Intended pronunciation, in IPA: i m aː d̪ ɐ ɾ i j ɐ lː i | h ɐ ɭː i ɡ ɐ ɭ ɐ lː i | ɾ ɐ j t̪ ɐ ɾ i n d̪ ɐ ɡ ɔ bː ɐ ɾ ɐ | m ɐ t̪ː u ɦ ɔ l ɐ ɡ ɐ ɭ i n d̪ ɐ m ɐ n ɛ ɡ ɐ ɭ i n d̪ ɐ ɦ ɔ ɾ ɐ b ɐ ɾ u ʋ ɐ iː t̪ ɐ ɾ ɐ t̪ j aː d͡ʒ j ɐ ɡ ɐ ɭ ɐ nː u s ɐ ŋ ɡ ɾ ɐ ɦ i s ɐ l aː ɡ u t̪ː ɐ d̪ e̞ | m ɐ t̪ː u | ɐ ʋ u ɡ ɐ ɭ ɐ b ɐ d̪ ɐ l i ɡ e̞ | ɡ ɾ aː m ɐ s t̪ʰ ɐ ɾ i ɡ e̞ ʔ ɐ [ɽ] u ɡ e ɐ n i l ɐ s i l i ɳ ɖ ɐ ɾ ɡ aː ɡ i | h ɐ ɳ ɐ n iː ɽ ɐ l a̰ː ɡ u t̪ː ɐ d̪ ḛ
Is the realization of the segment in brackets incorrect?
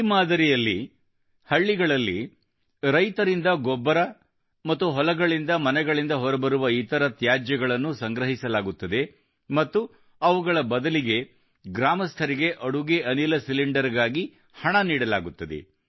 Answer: no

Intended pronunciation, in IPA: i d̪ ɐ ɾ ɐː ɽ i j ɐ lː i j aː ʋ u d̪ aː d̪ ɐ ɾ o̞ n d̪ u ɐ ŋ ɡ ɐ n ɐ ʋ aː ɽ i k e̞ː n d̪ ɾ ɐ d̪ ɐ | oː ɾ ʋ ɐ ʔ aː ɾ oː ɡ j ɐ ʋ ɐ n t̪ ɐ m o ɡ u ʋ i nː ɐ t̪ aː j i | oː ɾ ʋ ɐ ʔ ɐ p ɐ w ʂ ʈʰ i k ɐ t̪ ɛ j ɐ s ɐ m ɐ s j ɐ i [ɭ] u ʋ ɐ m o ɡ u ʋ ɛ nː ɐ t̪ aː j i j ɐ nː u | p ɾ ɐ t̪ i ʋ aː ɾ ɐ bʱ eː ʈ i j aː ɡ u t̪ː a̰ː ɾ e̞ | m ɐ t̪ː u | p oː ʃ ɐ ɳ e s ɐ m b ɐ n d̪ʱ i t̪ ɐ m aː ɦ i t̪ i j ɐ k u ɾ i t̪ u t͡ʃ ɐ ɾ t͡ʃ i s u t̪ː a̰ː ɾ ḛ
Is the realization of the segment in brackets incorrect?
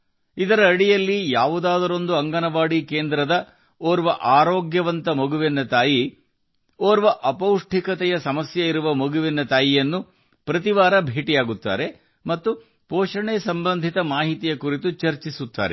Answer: yes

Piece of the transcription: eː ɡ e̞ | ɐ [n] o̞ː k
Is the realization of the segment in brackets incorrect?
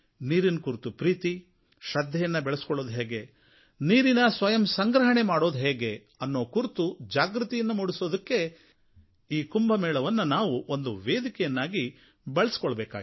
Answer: yes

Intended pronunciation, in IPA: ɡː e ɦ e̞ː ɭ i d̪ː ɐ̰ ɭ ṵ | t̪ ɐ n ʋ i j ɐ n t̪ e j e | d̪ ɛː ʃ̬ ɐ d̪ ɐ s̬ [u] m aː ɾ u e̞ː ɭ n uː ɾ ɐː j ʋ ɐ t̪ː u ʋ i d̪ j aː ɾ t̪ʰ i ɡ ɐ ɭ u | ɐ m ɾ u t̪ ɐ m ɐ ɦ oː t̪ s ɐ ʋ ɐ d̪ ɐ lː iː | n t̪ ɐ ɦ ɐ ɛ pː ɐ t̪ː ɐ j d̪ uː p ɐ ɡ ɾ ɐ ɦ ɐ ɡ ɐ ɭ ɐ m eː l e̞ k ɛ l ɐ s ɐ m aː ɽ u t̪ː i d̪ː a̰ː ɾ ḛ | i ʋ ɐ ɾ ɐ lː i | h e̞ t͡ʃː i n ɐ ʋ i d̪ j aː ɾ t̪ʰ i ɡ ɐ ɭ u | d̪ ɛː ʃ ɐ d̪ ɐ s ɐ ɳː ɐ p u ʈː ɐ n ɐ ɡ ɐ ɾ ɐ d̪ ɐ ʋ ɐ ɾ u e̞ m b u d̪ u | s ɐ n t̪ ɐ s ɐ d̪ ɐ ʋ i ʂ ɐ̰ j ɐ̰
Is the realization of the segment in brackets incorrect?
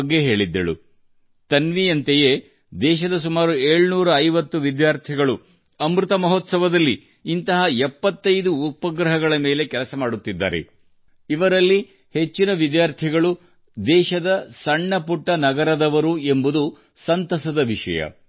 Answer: no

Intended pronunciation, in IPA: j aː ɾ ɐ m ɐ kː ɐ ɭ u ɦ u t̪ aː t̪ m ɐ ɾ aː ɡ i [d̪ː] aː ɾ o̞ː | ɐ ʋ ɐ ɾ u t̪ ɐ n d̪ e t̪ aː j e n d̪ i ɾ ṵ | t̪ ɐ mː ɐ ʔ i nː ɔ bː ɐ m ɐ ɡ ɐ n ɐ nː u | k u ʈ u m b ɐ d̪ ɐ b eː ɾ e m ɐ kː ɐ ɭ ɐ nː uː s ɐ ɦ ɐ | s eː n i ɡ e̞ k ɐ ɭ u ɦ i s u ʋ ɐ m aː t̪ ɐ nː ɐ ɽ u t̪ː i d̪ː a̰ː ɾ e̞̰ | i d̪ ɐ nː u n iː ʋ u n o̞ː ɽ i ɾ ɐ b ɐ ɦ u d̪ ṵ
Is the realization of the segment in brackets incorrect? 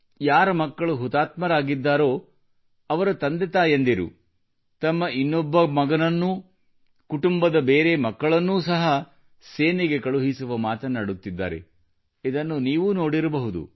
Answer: no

